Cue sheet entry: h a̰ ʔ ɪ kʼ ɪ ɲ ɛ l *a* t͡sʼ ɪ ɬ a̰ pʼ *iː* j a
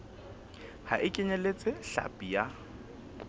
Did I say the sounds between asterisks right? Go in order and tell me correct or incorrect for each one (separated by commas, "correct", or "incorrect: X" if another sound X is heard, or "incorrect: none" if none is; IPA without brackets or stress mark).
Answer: incorrect: e, incorrect: i